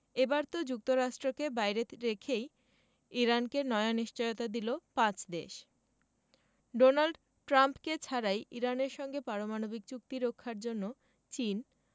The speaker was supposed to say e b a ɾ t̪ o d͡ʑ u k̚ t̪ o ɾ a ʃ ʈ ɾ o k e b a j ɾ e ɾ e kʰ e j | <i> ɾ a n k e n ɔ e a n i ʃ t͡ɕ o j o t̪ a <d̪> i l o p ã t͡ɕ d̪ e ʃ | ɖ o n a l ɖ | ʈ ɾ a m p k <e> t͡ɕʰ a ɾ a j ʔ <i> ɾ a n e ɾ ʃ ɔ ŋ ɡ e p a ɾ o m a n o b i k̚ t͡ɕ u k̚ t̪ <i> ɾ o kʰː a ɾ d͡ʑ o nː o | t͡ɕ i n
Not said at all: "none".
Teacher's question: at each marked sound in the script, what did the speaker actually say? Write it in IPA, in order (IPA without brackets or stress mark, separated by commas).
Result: i, d̪, e, i, i